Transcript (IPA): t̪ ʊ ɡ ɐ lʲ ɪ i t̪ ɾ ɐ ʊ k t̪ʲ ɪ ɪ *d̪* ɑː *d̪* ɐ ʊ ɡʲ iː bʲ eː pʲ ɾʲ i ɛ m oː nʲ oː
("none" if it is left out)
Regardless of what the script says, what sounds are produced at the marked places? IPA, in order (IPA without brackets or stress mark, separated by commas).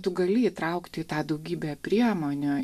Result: t̪, d̪